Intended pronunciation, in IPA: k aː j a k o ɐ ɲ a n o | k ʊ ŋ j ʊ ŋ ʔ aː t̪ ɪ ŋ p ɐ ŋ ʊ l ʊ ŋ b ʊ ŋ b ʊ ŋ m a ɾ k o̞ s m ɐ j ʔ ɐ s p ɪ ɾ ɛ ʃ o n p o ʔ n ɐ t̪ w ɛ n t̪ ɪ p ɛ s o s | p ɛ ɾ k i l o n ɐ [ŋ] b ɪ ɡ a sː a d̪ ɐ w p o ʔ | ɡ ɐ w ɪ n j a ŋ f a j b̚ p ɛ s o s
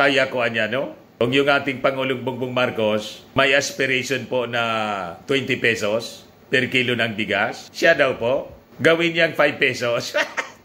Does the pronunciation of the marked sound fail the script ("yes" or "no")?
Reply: no